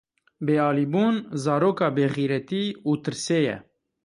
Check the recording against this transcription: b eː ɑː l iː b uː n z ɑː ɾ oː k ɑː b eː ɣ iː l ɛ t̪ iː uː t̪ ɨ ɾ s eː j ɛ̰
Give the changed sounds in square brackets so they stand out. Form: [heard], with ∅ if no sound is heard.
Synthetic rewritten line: b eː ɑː l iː b uː n z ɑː ɾ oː k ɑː b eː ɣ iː [ɾ] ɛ t̪ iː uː t̪ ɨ ɾ s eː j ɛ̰